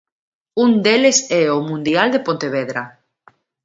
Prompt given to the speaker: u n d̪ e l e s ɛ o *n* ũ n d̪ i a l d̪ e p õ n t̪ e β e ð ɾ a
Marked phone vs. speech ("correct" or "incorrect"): incorrect